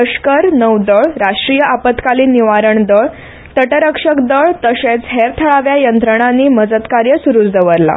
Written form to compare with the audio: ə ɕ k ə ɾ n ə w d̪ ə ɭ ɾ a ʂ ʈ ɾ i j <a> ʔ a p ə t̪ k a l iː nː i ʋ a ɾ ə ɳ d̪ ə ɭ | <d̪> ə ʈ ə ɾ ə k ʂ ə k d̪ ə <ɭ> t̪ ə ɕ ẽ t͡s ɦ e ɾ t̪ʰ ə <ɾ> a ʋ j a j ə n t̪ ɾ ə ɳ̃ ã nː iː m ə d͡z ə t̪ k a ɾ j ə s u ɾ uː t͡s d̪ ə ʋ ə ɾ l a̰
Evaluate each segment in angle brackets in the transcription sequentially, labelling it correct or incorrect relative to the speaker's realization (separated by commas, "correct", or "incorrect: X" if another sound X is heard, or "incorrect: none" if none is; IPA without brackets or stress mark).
incorrect: ə, incorrect: t̪, correct, incorrect: ɭ